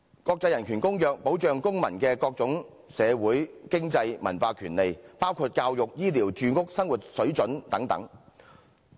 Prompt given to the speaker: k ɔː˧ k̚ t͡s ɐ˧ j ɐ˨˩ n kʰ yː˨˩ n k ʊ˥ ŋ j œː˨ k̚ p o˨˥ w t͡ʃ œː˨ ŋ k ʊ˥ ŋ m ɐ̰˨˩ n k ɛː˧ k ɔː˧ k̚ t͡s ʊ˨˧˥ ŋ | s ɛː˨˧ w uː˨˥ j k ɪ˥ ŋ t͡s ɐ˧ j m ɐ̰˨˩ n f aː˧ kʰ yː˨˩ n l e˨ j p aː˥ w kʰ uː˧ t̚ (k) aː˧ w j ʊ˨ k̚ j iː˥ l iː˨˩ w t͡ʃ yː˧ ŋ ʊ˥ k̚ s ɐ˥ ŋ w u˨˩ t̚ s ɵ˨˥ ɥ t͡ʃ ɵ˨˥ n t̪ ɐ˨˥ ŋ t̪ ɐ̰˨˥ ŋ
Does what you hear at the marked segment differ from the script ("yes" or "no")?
no